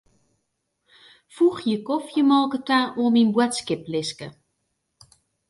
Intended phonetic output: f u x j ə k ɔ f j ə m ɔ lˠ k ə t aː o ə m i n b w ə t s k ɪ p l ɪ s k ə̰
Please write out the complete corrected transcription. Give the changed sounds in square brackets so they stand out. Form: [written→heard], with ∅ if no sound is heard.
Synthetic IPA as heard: f u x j ə k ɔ f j ə m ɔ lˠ k ə t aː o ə m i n b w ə t s k ɪ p l ɪ s k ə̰